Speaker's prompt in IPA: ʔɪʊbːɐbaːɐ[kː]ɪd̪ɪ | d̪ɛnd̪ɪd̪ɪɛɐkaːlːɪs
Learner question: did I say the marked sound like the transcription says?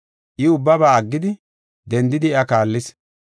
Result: no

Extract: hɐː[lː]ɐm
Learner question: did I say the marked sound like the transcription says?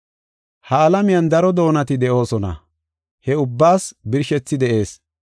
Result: no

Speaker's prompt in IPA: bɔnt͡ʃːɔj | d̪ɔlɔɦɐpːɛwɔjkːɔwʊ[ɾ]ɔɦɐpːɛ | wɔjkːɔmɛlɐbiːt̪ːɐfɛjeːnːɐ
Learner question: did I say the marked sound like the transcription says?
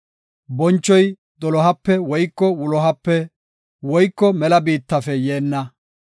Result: no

